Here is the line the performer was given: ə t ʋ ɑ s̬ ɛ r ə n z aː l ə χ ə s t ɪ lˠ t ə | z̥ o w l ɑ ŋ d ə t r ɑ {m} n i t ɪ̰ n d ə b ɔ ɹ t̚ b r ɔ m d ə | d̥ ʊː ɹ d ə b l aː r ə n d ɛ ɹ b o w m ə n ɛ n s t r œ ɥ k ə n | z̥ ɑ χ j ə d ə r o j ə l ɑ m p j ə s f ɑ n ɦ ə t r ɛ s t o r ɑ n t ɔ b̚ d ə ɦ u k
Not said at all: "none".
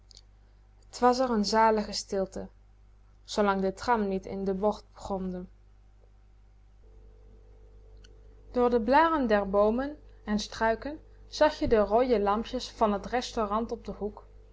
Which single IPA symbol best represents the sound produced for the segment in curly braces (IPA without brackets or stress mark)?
m